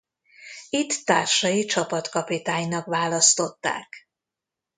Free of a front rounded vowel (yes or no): yes